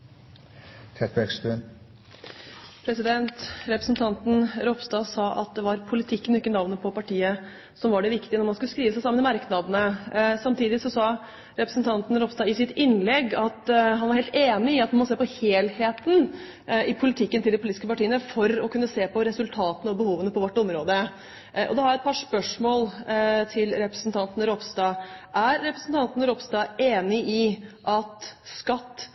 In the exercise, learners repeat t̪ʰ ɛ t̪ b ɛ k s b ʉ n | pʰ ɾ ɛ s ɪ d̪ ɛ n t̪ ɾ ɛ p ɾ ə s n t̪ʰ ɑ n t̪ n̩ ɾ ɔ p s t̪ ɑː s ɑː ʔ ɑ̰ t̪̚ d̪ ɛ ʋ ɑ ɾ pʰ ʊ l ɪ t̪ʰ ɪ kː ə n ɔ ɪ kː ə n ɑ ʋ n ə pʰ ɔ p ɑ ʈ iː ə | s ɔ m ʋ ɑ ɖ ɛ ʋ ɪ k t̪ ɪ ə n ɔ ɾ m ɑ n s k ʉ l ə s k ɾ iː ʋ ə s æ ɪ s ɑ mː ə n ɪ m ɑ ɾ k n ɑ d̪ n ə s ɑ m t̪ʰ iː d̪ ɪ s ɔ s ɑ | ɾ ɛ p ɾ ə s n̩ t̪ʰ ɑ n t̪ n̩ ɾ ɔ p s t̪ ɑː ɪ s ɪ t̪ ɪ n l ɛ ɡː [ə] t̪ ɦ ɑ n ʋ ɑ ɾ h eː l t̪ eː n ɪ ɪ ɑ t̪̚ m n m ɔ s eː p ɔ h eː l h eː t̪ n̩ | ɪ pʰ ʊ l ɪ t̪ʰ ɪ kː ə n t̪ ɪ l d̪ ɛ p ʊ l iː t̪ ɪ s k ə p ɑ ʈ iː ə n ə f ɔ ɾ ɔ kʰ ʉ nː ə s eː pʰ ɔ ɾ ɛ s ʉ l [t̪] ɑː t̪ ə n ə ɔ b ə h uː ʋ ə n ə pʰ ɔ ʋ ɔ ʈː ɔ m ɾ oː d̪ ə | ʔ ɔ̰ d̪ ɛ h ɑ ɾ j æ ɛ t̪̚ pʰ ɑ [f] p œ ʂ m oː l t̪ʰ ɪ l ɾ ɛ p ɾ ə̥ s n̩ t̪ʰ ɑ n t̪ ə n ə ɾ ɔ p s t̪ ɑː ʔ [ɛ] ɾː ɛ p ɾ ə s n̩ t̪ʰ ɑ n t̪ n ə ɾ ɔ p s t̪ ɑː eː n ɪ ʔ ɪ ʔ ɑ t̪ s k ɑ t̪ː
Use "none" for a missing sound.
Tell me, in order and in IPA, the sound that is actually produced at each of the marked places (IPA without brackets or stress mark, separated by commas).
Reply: ɑ, t̪ʰ, ʂ, æ